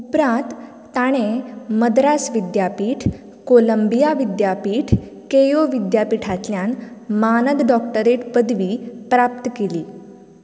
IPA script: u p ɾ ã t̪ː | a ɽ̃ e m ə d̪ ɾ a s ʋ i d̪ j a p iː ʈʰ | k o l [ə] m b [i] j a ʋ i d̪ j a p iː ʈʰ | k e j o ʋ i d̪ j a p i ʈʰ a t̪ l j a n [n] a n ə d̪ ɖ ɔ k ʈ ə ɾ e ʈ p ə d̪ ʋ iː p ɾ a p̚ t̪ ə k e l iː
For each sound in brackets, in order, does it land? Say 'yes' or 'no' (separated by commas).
yes, yes, no